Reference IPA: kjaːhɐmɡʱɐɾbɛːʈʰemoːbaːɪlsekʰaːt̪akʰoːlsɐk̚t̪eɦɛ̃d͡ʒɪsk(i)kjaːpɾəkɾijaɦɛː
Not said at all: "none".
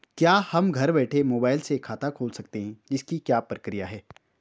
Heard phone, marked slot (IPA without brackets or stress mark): i